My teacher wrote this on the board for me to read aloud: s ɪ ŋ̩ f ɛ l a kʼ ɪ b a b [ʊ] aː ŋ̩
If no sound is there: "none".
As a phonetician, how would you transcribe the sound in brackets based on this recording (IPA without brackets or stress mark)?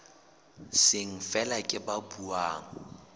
u